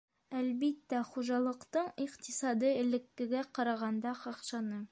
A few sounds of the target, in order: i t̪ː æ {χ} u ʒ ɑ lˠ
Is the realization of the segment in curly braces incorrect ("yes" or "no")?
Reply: no